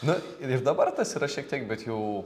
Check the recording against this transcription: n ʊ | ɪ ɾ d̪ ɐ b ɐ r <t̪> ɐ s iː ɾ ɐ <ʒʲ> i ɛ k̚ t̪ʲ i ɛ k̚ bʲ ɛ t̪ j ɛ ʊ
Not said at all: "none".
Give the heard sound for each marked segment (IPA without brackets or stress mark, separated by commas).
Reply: t̪, ʃʲ